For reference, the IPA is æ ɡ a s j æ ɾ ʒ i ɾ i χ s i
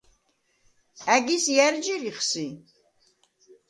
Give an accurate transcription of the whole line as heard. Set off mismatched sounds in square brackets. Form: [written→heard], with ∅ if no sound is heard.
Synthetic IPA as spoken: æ ɡ [a→i] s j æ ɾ [ʒ→d͡ʒ] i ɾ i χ s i

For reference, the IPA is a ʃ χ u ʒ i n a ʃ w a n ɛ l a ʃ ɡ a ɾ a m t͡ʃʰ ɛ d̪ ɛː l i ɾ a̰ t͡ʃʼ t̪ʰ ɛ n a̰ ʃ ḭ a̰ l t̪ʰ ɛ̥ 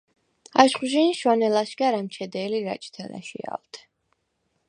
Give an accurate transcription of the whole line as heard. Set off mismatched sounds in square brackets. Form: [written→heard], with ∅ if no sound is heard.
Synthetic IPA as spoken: a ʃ χ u ʒ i n [a→i] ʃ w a n ɛ l a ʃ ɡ a ɾ a m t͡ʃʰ ɛ d̪ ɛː l i ɾ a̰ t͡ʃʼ t̪ʰ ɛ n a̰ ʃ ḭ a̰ l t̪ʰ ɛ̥

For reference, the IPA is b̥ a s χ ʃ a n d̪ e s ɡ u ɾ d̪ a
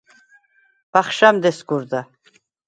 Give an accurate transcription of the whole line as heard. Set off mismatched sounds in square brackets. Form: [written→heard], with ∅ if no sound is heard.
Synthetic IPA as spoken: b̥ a [s→∅] χ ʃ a [n→m] d̪ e s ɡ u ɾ d̪ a

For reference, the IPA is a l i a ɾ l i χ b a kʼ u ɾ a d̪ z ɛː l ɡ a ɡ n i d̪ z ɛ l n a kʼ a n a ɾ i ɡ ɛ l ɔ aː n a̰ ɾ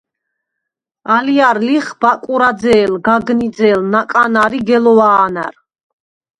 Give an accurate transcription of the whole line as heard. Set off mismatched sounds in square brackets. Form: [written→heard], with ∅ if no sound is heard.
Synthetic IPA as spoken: a l i a ɾ l i χ b a kʼ u ɾ a d̪ z ɛː l ɡ a ɡ n i d̪ z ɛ l n a kʼ a n a ɾ i ɡ ɛ l ɔ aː n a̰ ɾ

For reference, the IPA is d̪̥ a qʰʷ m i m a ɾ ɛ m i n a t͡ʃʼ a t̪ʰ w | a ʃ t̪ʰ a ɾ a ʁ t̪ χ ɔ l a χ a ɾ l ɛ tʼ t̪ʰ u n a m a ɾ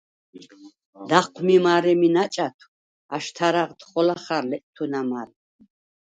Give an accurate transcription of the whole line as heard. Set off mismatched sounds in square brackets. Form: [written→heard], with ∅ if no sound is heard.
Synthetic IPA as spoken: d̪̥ a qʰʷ m i m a ɾ ɛ m i n a t͡ʃʼ a t̪ʰ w | a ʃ t̪ʰ a ɾ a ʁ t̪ χ ɔ l a χ a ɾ l ɛ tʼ t̪ʰ u n a m a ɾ

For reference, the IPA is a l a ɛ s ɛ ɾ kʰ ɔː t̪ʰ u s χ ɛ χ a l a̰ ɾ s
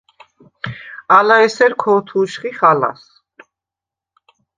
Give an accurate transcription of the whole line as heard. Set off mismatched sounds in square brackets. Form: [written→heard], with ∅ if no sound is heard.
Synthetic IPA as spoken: a l a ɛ s ɛ ɾ kʰ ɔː t̪ʰ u [s→ʃ] χ [ɛ→i] χ a l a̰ [ɾ→∅] s

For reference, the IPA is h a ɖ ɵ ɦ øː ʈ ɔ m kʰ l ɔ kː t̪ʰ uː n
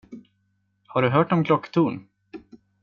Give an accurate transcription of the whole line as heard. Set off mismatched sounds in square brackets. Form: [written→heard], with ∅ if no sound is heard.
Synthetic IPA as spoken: h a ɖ ɵ ɦ [øː→œː] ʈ ɔ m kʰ l ɔ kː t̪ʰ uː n

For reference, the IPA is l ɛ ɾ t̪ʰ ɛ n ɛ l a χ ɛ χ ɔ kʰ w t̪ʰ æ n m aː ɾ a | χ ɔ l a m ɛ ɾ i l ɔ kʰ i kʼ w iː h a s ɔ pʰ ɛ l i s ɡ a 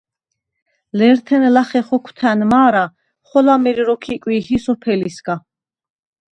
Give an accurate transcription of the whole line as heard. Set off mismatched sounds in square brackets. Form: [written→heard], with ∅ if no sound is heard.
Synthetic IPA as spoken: l ɛ ɾ t̪ʰ ɛ n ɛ l a χ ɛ χ ɔ kʰ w t̪ʰ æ n m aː ɾ a | χ ɔ l a m ɛ ɾ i [l→ɾ] ɔ kʰ i kʼ w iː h [a→i] s ɔ pʰ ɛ l i s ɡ a

